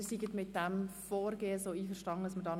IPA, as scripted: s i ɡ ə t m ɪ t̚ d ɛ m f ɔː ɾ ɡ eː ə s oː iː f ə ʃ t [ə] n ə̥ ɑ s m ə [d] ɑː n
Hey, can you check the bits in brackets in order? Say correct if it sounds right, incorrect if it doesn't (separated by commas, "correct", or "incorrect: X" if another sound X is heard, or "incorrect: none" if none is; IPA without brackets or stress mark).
incorrect: ɑ, correct